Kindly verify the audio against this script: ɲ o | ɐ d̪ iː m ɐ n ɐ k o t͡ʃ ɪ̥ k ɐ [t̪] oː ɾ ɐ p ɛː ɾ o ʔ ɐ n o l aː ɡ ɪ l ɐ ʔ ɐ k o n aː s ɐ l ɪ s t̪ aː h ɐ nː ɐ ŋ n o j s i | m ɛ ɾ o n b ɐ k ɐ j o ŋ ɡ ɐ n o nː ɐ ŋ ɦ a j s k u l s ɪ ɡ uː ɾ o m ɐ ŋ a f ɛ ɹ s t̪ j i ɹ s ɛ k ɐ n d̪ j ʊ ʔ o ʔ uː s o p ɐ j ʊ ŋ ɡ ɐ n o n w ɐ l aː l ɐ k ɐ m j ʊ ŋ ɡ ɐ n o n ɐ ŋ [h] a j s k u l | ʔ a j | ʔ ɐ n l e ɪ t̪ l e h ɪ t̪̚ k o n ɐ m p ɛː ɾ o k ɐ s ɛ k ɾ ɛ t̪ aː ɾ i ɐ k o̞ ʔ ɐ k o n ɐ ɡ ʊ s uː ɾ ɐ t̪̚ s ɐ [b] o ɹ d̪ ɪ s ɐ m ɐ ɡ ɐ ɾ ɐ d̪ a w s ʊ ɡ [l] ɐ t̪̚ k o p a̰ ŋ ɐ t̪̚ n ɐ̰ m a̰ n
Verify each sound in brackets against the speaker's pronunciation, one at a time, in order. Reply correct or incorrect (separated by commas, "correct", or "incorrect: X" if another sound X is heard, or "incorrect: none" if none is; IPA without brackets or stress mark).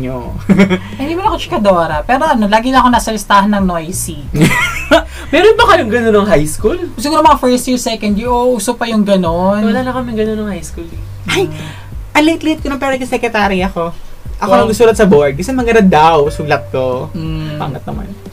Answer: incorrect: d̪, correct, correct, correct